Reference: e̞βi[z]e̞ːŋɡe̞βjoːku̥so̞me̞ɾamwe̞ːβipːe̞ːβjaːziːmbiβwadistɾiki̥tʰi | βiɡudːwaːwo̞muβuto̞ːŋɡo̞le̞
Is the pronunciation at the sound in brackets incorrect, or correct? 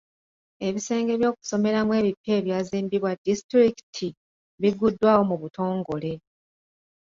incorrect